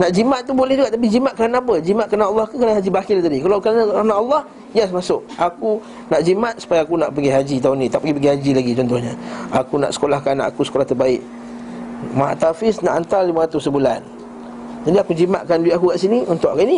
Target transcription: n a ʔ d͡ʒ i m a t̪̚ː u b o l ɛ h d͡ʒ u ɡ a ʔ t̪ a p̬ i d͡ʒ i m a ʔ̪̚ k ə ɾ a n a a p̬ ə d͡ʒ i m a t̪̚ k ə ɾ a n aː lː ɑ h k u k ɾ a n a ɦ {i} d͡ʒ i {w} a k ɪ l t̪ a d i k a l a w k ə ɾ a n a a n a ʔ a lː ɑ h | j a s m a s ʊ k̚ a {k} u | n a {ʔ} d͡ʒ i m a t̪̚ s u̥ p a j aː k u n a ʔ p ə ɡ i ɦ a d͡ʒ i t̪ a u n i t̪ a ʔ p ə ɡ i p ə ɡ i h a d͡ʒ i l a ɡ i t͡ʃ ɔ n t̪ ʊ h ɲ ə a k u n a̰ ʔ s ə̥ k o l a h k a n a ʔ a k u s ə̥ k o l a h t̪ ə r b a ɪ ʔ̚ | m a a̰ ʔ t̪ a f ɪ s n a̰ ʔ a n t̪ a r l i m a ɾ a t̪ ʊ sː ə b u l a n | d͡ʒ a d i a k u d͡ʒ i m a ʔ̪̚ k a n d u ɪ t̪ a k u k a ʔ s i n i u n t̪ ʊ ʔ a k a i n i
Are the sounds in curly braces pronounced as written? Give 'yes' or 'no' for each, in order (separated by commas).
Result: no, no, yes, yes